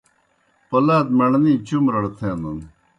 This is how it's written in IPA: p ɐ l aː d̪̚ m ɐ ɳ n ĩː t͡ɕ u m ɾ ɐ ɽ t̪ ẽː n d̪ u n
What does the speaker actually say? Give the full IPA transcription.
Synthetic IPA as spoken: p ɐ l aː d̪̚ m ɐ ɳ n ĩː t͡ɕ u m ɾ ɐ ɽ t̪ʰ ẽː n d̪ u n